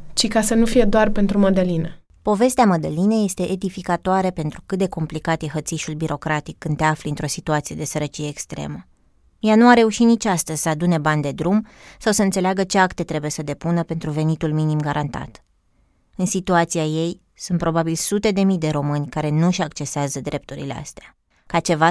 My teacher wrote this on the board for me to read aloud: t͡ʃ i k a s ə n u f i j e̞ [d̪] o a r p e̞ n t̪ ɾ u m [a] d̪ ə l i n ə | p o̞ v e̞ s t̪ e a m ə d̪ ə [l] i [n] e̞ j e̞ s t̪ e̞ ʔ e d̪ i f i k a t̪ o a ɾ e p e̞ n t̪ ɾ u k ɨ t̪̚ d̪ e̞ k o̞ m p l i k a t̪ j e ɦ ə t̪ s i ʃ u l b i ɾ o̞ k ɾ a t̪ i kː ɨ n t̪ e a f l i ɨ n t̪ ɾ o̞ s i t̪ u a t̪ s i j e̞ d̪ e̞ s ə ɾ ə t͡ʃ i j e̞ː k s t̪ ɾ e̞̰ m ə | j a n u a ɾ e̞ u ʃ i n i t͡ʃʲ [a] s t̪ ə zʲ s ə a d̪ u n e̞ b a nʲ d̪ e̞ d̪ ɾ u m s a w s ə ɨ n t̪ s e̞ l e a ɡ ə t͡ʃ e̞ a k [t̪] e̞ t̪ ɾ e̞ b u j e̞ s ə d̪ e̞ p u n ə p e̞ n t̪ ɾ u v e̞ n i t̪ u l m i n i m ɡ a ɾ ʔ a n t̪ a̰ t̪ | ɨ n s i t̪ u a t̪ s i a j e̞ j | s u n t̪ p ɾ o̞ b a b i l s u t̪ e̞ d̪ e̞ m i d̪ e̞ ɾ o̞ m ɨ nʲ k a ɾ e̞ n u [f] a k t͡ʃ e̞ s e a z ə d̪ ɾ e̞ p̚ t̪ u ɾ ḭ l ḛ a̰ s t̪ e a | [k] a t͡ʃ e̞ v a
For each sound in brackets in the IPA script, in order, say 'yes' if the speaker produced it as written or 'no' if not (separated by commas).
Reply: yes, no, yes, yes, yes, yes, no, yes